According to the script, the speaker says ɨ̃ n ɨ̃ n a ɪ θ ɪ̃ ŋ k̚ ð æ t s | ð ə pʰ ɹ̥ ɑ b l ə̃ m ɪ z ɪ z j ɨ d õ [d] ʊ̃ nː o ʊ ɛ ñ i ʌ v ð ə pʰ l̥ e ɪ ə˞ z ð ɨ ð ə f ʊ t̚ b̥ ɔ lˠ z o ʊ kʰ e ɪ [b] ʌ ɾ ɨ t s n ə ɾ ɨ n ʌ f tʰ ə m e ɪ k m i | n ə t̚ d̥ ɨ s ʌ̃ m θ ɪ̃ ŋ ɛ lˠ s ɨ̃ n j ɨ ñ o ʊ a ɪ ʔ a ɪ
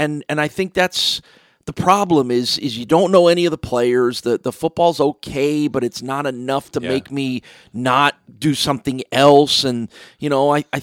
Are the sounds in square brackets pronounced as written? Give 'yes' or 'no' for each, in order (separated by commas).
no, yes